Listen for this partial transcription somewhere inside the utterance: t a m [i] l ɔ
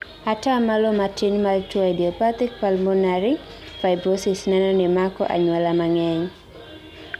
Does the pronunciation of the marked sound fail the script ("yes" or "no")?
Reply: yes